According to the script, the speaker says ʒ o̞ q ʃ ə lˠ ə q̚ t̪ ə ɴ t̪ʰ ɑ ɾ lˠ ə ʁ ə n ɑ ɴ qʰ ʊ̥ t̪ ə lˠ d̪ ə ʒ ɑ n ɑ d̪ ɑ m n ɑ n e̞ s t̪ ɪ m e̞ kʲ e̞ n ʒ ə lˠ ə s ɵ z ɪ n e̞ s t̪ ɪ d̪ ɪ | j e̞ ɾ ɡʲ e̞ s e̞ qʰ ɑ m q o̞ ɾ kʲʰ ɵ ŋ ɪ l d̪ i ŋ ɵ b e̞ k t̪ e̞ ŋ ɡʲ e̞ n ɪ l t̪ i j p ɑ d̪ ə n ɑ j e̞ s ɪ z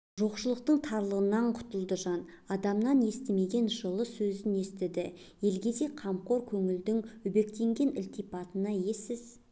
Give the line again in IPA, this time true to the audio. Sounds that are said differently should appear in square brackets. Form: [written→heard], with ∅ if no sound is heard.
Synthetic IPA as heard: ʒ o̞ q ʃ ə lˠ ə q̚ t̪ ə ɴ t̪ʰ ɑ ɾ lˠ ə ʁ ə n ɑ ɴ qʰ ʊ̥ t̪ ə lˠ d̪ ə ʒ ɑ n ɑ d̪ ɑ m n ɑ n e̞ s t̪ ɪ m e̞ [kʲ→ɡʲ] e̞ n ʒ ə lˠ ə s ɵ z ɪ n e̞ s t̪ ɪ d̪ ɪ | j e̞ [ɾ→l] ɡʲ e̞ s e̞ qʰ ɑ m q o̞ ɾ kʲʰ ɵ ŋ ɪ l d̪ [i→ɪ] ŋ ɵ b e̞ k t̪ e̞ ŋ ɡʲ e̞ n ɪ l t̪ i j p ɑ [d̪→t̪] ə n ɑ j e̞ s ɪ z